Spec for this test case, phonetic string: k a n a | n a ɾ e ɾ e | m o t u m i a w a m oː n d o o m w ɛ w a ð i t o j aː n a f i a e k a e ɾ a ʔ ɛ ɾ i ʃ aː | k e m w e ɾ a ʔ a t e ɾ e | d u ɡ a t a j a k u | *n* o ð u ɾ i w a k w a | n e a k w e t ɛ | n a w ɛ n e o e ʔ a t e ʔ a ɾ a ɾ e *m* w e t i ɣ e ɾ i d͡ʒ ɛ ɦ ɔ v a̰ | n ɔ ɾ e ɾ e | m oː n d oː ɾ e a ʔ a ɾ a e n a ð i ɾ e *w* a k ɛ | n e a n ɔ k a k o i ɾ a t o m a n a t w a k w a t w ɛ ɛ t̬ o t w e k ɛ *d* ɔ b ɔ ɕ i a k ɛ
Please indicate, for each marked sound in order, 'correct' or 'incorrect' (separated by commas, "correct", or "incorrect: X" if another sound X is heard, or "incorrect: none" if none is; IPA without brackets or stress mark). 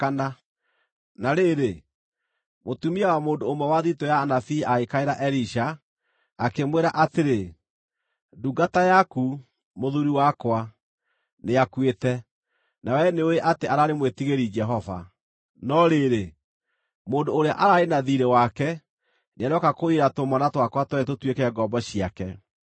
incorrect: m, correct, correct, incorrect: ɡ